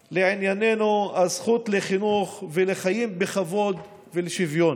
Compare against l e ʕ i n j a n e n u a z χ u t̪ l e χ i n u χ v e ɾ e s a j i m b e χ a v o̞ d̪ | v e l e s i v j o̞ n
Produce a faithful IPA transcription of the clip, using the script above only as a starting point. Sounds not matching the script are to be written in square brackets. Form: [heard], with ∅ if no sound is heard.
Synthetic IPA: l e ʕ i n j a n e n u a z χ u t̪ l e χ i n u χ v e [l] e [χ] a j i m b e χ a v o̞ d̪ | v e l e [ʃ] i v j o̞ n